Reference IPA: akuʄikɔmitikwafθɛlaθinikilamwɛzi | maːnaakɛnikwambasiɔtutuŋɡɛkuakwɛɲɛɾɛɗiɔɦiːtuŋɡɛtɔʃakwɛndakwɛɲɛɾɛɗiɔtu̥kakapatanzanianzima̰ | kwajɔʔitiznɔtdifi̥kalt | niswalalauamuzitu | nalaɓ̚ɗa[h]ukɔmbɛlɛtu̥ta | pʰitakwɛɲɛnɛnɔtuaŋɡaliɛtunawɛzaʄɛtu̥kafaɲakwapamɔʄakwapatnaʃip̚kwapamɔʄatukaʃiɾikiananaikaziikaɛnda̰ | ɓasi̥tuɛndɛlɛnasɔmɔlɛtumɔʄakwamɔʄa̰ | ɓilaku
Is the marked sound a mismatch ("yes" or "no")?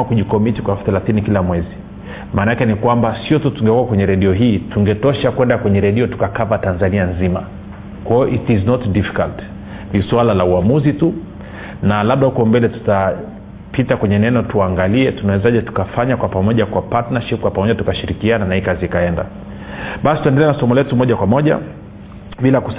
no